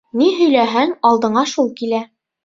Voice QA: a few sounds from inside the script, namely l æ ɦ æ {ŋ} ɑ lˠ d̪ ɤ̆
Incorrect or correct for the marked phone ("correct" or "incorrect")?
correct